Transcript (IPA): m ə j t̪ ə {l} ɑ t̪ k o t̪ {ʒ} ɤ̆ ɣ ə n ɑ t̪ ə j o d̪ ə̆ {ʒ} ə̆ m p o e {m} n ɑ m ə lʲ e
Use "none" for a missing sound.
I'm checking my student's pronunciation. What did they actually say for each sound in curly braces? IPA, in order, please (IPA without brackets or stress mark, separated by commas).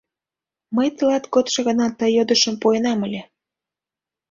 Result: l, ʃ, ʃ, none